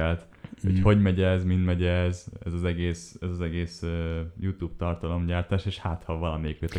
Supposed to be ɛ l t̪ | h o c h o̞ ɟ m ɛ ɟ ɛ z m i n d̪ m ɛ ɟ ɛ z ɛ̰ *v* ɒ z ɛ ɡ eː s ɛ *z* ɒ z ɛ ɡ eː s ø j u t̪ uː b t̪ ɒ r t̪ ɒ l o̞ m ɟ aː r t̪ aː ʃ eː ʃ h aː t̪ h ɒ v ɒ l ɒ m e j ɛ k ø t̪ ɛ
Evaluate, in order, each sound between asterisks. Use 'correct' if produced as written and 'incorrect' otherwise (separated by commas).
incorrect, correct